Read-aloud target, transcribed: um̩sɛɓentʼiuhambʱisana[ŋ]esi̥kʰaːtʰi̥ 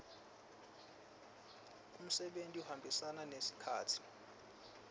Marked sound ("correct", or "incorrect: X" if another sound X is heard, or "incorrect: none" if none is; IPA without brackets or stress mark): incorrect: n